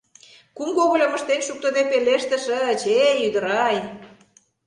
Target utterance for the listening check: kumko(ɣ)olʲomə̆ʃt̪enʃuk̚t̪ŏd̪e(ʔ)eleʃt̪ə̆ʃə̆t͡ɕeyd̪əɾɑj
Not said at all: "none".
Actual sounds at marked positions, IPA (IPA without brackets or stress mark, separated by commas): ɣ, p